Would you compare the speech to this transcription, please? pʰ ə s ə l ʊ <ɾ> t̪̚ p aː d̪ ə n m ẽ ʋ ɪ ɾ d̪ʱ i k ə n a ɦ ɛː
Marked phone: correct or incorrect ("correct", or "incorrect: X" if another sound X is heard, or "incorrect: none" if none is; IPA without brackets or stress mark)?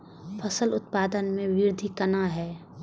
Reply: incorrect: none